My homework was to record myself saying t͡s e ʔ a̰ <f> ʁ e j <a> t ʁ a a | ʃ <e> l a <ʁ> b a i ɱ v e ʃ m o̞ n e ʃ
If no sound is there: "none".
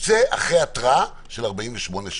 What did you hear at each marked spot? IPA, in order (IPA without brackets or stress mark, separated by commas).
χ, a, e, ʁ